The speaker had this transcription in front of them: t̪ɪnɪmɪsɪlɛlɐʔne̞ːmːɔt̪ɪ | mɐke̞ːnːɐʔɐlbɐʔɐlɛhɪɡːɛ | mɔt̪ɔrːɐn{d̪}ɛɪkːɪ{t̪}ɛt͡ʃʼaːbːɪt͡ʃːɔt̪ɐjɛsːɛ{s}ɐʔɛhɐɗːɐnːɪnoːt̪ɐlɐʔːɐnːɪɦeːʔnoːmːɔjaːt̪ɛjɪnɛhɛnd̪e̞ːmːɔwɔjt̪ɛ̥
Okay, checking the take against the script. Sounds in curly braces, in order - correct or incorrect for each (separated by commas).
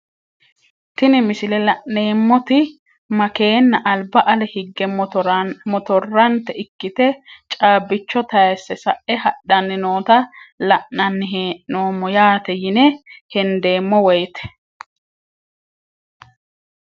incorrect, correct, correct